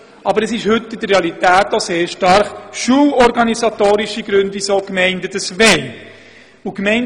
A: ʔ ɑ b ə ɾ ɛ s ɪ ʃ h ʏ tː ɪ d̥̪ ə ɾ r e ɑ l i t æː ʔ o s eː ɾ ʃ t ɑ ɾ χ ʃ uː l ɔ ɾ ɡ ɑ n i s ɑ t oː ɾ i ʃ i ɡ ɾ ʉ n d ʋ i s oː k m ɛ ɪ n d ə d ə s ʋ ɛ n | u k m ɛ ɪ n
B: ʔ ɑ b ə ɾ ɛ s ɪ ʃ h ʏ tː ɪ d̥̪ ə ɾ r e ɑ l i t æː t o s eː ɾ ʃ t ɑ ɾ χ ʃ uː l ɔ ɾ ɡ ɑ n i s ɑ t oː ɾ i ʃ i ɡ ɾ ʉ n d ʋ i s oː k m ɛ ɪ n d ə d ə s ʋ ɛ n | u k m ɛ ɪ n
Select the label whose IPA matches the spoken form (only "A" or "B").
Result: B